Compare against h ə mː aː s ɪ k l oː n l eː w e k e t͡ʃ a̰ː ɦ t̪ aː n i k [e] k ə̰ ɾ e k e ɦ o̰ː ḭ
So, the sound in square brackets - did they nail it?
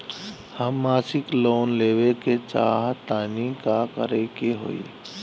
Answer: no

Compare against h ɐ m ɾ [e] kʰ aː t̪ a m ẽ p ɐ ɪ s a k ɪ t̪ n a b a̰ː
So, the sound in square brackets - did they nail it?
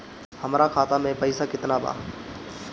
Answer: no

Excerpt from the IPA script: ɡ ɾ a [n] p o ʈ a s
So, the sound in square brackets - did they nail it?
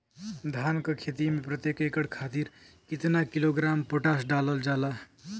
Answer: no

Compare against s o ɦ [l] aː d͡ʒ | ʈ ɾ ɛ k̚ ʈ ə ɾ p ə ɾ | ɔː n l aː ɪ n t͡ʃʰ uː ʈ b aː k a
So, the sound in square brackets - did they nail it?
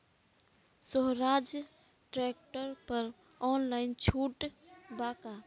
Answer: no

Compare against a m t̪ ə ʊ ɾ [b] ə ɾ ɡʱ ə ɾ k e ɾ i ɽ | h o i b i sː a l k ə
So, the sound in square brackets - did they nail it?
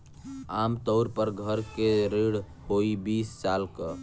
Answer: no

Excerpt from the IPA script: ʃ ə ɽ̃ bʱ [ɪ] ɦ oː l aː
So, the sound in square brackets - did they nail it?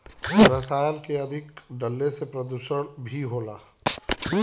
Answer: no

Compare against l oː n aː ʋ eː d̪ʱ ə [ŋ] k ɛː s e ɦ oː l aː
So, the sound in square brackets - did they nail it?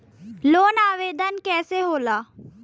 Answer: no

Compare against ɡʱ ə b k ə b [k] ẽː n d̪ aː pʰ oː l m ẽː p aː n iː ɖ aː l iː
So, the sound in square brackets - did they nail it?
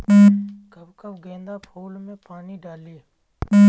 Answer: no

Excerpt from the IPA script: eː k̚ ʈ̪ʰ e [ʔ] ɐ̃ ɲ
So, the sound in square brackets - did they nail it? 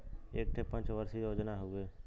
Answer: no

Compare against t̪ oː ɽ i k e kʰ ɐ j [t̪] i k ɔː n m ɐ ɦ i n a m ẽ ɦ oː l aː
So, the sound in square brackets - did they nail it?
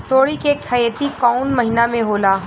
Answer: yes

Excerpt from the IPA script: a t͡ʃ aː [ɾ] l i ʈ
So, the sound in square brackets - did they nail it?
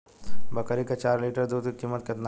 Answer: yes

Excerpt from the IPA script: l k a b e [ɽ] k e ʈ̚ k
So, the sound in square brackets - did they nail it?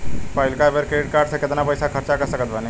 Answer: no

